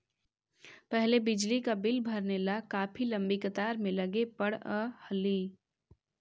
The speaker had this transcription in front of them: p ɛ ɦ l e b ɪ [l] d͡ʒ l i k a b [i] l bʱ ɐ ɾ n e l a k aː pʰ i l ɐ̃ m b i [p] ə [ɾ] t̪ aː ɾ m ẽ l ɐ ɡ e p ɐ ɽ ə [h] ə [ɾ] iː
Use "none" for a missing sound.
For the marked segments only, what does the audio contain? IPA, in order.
none, ɪ, k, none, h, l

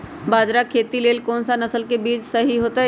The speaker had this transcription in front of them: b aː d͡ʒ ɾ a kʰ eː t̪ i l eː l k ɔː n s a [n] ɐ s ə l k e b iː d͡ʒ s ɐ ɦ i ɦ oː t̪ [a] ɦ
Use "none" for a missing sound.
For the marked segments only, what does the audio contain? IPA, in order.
n, a

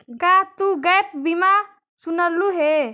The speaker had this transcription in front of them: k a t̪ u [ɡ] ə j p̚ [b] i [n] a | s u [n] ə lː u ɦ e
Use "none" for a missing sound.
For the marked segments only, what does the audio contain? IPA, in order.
ɡ, b, m, n

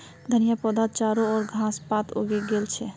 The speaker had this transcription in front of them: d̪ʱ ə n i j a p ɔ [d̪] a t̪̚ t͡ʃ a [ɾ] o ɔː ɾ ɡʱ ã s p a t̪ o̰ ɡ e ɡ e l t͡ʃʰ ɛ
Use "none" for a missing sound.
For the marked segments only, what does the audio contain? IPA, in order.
d̪, ɾ

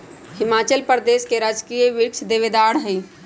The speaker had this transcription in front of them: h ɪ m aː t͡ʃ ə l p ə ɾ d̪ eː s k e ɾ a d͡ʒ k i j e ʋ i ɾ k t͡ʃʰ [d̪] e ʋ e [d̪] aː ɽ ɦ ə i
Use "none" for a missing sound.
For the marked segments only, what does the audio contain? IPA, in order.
d̪, d̪

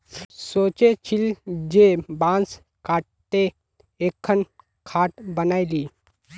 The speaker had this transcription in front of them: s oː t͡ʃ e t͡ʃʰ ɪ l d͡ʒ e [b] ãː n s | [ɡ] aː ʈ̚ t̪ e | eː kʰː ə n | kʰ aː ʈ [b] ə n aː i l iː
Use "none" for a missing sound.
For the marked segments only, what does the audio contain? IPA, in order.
b, k, b

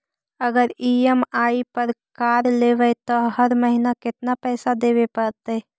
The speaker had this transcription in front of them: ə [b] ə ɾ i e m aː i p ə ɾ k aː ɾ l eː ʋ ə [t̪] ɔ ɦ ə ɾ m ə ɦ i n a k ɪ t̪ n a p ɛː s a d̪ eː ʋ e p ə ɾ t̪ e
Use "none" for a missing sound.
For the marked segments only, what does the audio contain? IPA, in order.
ɡ, t̪

